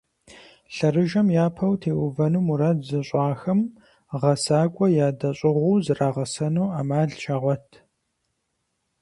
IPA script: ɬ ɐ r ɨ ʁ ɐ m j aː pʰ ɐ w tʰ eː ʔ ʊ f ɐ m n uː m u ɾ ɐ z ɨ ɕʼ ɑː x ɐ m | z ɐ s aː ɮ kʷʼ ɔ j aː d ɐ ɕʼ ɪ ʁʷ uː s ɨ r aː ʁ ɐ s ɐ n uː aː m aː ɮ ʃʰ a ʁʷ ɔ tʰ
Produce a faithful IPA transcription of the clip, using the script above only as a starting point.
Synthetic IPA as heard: ɬ ɐ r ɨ ʒ ɐ m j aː pʰ ɐ w tʰ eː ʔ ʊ v ɐ n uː m u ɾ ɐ z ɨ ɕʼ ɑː x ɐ m | ʁ ɐ s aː kʷʼ ɔ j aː d ɐ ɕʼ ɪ ʁʷ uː z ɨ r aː ʁ ɐ s ɐ n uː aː m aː ɮ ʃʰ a ʁʷ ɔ tʰ